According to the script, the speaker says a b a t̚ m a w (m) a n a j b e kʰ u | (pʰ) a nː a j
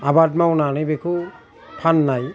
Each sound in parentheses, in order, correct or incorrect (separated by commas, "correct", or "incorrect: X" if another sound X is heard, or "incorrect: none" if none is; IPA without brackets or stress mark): incorrect: n, correct